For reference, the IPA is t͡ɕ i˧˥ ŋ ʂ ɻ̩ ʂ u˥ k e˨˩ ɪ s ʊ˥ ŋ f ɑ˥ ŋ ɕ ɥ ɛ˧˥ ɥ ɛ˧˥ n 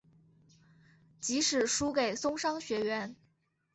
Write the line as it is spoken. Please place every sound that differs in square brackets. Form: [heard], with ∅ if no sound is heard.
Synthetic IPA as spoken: t͡ɕ i˧˥ [∅] ʂ ɻ̩ ʂ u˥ k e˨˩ ɪ s ʊ˥ ŋ [ʂ] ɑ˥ ŋ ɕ ɥ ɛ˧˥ ɥ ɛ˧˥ n